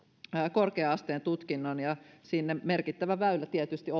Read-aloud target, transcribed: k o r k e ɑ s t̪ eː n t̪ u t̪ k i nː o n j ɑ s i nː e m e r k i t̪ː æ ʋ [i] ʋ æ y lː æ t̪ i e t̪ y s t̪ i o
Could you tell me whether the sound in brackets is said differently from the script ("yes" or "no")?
yes